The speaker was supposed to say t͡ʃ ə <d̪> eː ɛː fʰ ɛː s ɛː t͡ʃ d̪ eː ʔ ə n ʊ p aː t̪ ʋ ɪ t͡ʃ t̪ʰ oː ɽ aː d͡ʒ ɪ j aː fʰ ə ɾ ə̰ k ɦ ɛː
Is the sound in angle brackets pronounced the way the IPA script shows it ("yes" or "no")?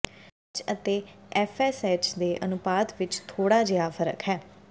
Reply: no